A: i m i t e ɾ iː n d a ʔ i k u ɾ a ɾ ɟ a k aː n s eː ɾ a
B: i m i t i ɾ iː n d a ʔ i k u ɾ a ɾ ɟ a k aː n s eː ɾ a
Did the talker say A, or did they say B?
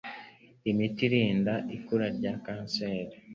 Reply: B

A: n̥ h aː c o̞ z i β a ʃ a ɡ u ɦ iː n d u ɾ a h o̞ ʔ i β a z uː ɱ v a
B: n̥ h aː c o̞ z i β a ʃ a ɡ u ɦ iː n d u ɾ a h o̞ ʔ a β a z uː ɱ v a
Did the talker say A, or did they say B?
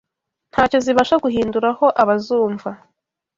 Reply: B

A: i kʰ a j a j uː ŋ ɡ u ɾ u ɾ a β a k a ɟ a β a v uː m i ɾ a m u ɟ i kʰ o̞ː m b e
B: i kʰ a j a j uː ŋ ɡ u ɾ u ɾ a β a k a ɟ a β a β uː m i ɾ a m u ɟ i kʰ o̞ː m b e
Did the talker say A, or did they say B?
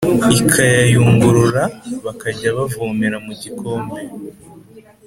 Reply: A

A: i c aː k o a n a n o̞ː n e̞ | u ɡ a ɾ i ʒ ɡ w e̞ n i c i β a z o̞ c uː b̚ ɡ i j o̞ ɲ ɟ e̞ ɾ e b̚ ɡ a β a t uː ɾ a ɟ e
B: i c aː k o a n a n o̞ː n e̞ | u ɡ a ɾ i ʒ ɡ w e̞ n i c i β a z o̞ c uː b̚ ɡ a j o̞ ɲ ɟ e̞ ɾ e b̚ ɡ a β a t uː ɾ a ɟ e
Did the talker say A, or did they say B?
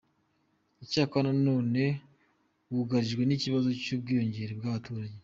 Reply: A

